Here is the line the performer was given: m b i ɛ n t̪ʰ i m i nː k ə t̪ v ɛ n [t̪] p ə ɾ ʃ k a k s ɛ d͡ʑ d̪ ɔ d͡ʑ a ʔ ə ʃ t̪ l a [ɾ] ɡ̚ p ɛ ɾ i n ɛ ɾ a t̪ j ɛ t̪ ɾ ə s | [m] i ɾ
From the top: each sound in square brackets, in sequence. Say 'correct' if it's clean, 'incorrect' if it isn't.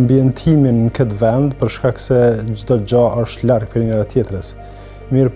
incorrect: d̪, correct, correct

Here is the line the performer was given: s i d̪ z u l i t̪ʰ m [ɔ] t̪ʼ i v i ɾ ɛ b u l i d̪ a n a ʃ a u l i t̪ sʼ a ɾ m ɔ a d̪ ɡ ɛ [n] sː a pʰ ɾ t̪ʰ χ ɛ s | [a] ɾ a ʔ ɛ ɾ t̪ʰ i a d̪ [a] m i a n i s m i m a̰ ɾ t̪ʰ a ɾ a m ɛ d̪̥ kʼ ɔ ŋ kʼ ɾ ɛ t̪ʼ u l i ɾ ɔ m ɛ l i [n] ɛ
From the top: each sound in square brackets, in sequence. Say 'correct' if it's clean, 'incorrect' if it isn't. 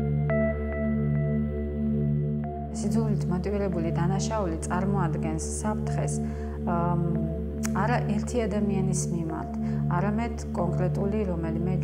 correct, correct, correct, correct, incorrect: m

